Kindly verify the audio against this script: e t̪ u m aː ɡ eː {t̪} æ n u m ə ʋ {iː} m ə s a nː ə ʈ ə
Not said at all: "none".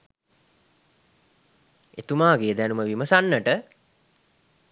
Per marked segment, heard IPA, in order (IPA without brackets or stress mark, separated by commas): d̪, i